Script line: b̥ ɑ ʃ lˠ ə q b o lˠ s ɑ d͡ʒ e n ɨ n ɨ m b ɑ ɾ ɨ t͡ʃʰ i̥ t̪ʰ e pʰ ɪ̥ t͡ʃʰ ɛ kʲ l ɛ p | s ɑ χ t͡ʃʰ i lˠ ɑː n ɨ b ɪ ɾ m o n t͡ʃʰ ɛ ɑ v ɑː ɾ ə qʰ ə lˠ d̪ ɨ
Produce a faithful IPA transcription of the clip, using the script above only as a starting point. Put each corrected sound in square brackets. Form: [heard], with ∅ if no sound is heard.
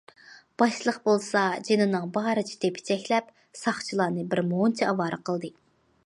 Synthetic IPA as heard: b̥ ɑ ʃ lˠ ə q b o lˠ s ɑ d͡ʒ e n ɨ n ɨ [ŋ] b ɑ ɾ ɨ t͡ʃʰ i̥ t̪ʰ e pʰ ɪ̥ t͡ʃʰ ɛ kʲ l ɛ p | s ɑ χ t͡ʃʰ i lˠ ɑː n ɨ b ɪ ɾ m o n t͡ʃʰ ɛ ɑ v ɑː ɾ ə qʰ ə lˠ d̪ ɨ